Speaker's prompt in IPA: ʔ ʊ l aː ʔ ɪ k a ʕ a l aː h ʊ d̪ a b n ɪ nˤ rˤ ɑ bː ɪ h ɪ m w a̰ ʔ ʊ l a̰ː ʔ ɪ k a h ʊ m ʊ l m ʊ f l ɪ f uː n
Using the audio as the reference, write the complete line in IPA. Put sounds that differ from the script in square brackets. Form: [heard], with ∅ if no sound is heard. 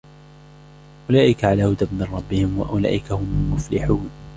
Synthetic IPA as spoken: ʔ ʊ l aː ʔ ɪ k a ʕ a l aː h ʊ d̪ a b [m] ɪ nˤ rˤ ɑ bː ɪ h ɪ m w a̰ ʔ ʊ l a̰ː ʔ ɪ k a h ʊ m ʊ l m ʊ f l ɪ [ħ] uː n